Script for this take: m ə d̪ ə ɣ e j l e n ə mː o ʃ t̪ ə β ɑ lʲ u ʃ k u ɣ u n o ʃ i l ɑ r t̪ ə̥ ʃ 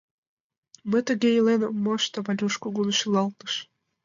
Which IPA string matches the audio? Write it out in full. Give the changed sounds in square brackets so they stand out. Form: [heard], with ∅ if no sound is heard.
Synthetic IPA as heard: m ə [t̪] ə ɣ e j l e n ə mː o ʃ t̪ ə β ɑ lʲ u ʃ k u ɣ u n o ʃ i l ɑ [l] t̪ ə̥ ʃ